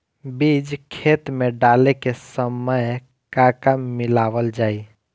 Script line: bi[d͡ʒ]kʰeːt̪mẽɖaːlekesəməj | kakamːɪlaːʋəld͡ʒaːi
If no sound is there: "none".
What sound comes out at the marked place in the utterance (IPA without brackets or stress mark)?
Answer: d͡ʒ